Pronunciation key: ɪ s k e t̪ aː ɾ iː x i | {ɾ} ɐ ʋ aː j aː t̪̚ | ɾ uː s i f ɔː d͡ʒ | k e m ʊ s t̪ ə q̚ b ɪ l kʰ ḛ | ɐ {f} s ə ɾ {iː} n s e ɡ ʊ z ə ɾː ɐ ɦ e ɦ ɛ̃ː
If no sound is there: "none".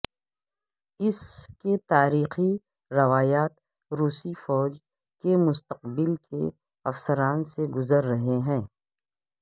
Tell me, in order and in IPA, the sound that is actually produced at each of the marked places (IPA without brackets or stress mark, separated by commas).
ɾ, f, aː